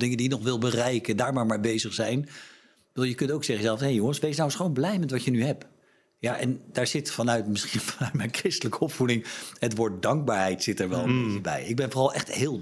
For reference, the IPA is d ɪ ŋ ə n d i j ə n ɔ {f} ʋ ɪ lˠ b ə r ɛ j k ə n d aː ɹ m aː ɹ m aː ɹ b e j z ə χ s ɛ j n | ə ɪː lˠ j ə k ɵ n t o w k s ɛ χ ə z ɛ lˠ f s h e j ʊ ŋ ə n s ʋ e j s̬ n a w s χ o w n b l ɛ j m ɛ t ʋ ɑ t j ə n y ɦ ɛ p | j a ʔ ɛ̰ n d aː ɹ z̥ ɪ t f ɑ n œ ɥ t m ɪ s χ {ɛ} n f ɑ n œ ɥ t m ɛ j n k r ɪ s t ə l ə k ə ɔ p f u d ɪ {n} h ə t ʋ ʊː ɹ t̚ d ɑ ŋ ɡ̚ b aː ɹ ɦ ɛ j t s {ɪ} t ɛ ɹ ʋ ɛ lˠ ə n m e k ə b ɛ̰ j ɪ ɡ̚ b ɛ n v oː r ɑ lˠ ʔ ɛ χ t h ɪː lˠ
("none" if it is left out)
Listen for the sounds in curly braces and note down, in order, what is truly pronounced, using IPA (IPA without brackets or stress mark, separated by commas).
χ, i, ŋ, ɪ